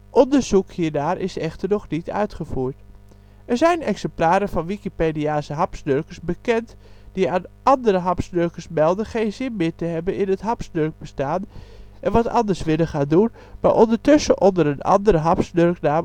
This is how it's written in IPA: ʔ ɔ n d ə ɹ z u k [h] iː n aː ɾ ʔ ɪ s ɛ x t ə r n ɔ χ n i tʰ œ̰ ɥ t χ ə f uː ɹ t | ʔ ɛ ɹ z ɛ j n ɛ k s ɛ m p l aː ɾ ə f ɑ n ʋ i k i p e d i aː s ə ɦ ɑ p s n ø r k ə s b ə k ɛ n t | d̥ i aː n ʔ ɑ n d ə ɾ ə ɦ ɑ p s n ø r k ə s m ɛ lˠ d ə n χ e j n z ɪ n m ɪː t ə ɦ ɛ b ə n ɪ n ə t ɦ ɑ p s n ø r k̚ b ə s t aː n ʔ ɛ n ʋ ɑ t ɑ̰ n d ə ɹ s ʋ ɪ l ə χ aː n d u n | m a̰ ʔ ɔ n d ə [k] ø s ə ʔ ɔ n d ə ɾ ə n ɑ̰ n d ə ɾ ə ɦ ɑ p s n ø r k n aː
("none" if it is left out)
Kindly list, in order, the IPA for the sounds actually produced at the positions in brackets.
h, t

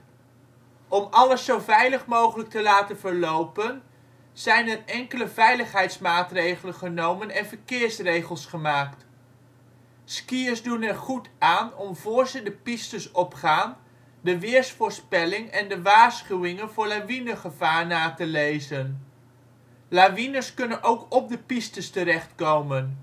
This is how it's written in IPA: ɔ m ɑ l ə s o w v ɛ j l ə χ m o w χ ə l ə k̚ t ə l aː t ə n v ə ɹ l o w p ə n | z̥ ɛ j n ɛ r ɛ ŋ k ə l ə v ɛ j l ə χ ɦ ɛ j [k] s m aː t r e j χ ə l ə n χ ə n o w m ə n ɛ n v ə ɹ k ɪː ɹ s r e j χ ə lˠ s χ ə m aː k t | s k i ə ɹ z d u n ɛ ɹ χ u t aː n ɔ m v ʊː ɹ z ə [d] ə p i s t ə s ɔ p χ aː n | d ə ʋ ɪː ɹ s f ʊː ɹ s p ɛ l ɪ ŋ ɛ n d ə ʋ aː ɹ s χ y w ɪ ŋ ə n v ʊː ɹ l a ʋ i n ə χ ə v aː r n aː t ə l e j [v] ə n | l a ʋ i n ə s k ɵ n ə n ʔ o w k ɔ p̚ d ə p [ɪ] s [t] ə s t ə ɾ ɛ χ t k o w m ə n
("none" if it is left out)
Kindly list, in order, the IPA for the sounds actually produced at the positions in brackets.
t, d, z, i, t

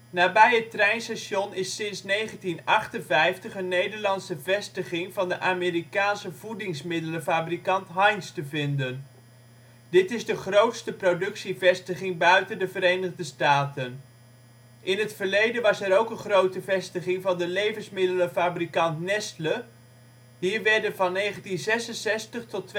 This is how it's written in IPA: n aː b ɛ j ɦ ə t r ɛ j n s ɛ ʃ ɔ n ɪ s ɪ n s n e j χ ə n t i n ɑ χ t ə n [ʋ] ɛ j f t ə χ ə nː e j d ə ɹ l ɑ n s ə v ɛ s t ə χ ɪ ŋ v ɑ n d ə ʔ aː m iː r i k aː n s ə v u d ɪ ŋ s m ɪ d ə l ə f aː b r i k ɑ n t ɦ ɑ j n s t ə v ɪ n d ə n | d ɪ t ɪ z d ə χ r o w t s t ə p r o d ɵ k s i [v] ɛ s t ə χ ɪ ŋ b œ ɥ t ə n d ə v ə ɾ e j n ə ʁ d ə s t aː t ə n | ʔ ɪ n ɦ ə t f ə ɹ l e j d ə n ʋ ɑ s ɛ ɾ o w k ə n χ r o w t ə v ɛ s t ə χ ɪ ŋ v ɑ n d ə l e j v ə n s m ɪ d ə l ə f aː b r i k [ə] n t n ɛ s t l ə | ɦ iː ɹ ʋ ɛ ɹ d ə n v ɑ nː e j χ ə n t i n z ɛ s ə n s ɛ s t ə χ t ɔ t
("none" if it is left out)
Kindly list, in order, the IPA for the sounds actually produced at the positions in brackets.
v, v, ɑ

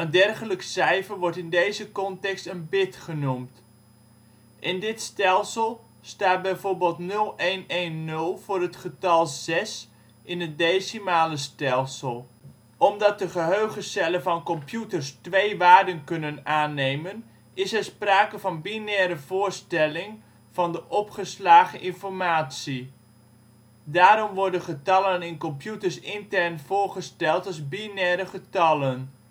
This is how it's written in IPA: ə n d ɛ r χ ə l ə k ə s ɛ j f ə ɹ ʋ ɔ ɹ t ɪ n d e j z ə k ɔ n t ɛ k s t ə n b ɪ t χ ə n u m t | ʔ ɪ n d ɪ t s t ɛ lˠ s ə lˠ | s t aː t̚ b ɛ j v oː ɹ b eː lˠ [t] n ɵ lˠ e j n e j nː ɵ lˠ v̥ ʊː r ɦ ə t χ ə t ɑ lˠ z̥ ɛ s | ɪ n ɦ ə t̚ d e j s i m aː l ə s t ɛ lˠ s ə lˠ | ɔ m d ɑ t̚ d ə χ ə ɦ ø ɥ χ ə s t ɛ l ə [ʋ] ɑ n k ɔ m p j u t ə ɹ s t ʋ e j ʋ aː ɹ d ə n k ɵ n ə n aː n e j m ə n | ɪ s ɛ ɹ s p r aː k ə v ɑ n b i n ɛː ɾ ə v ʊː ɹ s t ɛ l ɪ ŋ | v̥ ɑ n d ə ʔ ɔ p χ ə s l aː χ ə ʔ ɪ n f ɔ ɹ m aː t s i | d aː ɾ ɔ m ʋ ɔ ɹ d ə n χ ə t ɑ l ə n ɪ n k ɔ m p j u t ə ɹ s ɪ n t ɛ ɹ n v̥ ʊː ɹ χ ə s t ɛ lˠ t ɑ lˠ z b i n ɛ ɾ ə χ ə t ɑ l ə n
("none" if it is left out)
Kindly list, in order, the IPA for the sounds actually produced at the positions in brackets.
t, v

